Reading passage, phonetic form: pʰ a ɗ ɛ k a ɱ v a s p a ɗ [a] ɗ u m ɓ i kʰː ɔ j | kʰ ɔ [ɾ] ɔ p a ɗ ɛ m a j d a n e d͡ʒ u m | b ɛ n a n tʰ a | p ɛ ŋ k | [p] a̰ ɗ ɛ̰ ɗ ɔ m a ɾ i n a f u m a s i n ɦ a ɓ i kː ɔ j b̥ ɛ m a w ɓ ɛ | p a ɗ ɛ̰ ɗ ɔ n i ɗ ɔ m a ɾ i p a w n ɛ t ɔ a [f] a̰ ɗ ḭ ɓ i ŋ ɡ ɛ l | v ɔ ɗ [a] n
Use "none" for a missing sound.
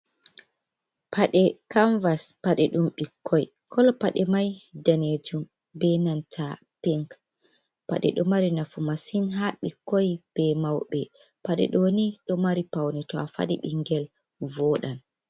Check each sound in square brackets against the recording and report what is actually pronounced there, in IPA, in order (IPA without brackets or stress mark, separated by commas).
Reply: ɛ, l, p, f, a